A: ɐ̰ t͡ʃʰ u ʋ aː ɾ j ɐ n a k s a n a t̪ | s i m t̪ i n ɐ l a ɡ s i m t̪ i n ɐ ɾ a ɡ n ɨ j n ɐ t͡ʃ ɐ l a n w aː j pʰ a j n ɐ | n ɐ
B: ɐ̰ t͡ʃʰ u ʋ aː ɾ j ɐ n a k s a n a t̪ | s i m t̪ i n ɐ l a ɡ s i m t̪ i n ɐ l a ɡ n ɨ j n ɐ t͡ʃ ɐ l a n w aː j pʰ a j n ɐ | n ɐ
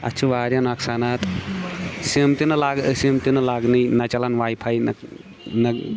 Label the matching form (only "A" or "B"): B